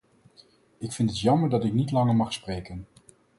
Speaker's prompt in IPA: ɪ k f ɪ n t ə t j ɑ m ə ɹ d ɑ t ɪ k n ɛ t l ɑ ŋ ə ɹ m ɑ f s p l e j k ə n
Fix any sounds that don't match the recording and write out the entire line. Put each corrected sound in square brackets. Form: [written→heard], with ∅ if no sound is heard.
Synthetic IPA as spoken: ɪ k f ɪ n t ə t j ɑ m ə ɹ d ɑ t ɪ k n [ɛ→i] t l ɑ ŋ ə ɹ m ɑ [f→χ] s p [l→r] e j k ə n